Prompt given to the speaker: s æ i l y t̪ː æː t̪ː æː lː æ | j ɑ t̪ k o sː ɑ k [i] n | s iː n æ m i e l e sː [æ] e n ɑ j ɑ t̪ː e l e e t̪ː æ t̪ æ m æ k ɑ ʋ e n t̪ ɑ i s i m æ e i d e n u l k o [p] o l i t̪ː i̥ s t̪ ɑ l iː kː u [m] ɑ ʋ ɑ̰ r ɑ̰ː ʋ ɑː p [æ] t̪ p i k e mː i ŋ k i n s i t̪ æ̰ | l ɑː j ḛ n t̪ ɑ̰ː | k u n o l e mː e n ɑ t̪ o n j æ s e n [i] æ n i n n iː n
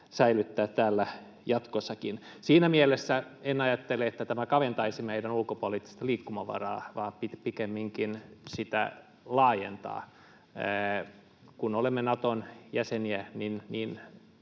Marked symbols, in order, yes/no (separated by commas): yes, yes, yes, yes, no, yes